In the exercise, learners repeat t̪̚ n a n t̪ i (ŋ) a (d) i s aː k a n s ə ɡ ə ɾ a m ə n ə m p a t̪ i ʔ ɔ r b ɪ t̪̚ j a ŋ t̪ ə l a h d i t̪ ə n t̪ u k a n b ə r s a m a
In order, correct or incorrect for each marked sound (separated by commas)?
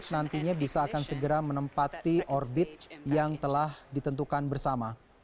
incorrect, incorrect